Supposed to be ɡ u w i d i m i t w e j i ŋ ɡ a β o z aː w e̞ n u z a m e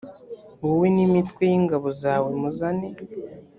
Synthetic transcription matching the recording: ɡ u w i n i m i t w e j i ŋ ɡ a β o z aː w e̞ m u z a n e